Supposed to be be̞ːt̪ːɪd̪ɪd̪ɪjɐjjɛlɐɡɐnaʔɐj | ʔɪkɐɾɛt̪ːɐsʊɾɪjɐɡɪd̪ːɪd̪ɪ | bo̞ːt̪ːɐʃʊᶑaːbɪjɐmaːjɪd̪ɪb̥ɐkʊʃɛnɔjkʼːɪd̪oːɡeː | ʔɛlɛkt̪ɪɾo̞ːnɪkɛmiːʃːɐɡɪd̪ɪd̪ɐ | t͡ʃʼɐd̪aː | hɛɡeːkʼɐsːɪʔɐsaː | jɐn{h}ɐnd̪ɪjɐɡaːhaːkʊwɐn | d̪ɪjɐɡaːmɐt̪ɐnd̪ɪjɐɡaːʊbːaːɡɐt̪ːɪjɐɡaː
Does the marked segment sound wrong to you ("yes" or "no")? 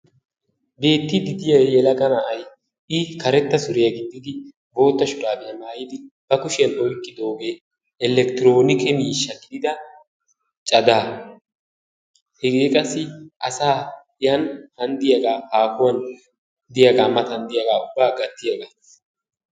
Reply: no